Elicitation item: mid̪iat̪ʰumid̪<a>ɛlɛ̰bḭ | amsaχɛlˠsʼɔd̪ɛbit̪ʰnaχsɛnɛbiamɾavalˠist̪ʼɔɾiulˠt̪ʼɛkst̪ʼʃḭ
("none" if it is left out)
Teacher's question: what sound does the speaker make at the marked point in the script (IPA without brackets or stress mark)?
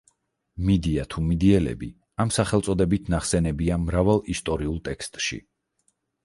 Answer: i